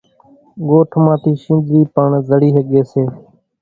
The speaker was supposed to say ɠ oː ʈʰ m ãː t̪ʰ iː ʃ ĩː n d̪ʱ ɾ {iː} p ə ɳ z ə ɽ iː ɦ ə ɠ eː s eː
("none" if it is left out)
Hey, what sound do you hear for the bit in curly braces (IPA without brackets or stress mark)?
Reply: iː